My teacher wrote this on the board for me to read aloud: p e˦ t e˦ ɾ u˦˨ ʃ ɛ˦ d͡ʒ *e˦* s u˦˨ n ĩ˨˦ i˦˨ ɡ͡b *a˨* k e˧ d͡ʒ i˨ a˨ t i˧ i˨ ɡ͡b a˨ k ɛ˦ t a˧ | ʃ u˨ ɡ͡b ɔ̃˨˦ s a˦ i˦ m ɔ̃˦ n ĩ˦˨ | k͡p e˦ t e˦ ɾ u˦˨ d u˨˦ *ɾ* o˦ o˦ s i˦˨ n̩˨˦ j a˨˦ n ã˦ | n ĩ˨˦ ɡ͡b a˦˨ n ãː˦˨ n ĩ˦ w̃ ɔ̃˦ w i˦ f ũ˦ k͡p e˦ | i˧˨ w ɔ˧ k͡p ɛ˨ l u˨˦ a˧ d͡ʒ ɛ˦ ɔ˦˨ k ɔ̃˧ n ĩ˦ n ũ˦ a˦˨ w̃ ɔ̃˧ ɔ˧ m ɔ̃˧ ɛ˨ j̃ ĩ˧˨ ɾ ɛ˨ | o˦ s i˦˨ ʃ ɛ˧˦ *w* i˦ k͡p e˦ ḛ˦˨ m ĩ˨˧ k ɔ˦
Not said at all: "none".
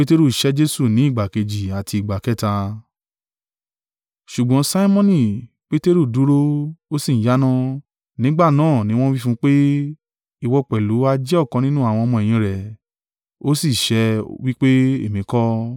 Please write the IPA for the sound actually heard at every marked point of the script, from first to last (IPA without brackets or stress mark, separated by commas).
e˦, a˨, ɾ, w